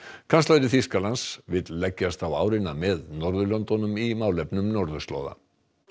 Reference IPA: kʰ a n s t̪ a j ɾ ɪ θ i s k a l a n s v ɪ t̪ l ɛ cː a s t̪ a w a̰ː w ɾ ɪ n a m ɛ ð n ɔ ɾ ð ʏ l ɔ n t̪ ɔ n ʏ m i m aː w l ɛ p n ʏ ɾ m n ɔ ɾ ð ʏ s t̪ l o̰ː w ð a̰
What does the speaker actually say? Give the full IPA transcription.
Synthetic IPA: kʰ a n s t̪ a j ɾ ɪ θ i s k a l a n s v ɪ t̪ l ɛ cː a s t̪ a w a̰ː w ɾ ɪ n a m ɛ ð n ɔ ɾ ð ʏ l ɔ n t̪ ɔ n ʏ m i m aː w l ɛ p n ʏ m n ɔ ɾ ð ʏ s t̪ l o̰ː w ð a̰